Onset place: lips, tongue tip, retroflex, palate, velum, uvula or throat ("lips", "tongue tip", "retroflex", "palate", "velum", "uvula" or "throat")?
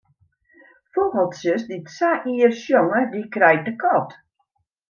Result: lips